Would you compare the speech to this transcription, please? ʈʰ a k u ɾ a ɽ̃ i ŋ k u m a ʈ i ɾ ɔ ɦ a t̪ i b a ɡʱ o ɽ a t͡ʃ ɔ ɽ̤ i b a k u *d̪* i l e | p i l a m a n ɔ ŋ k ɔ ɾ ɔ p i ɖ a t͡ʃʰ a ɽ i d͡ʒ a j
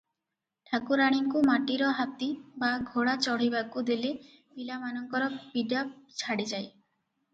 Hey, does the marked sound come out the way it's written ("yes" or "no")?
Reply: yes